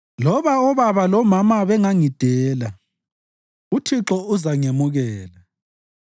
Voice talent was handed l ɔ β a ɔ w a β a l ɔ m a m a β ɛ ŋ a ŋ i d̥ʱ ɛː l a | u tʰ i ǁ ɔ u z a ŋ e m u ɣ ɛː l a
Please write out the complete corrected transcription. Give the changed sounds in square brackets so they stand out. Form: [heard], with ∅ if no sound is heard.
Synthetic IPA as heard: l ɔ β a ɔ [β] a β a l ɔ m a m a β ɛ ŋ a ŋ i d̥ʱ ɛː l a | u tʰ i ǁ ɔ u z a ŋ e m u ɣ ɛː l a